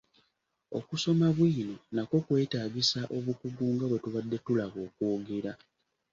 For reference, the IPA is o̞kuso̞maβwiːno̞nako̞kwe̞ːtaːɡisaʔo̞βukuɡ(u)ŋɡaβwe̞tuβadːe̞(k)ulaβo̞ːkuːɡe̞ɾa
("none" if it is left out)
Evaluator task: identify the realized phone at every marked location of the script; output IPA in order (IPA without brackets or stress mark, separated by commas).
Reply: uː, t